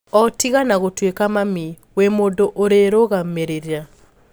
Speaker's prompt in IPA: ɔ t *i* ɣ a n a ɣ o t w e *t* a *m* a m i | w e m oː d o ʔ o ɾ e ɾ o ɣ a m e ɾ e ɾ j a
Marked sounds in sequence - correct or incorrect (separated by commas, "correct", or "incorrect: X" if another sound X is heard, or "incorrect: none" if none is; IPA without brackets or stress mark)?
correct, incorrect: k, correct